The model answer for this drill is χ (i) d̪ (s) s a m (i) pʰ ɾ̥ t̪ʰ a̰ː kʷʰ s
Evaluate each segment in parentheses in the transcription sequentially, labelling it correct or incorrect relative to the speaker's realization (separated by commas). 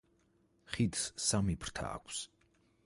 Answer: correct, correct, correct